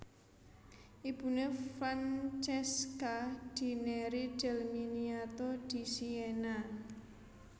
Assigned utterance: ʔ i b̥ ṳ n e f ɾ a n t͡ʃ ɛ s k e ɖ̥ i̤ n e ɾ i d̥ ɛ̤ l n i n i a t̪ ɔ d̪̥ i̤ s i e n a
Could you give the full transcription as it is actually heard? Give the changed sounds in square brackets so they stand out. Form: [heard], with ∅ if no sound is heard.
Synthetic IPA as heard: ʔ i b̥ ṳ n e f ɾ a n t͡ʃ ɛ s k [a] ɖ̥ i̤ n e ɾ i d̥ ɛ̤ l [m] i n i a t̪ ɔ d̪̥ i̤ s i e n a